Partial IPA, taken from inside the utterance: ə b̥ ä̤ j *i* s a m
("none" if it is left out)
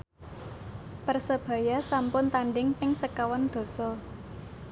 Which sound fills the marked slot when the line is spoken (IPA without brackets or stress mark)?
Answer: a